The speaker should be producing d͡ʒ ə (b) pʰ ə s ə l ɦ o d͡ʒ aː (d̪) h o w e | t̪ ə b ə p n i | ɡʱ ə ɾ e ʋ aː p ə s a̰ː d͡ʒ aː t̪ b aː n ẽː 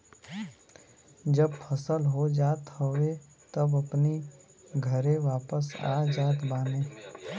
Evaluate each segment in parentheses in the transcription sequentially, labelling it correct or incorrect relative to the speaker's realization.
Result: correct, incorrect: t̪

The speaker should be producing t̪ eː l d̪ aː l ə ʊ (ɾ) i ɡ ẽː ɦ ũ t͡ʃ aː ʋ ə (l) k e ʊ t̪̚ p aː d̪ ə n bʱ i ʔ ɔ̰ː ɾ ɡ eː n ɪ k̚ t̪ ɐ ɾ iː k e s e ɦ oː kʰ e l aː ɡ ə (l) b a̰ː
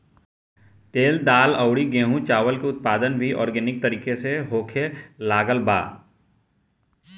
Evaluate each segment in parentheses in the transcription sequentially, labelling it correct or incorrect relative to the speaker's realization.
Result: incorrect: ɽ, correct, correct

